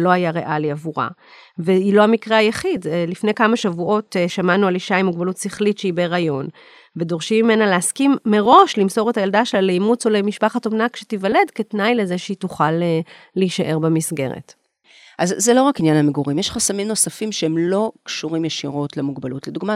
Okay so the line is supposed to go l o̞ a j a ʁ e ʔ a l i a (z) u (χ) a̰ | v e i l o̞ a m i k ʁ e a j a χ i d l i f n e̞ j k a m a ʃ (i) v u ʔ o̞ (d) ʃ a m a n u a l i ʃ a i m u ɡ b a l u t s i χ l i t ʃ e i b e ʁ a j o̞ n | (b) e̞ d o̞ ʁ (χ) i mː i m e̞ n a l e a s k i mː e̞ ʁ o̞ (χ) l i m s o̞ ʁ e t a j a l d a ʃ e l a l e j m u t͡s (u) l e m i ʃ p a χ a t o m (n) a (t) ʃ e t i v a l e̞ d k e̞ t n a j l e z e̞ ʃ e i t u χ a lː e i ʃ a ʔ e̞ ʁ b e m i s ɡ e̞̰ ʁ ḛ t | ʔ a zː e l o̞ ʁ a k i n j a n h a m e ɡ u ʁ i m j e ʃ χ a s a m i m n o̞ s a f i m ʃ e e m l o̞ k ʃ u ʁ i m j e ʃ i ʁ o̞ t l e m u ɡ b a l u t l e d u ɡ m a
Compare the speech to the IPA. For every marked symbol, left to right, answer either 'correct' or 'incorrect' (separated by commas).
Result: incorrect, incorrect, incorrect, incorrect, incorrect, incorrect, incorrect, incorrect, correct, incorrect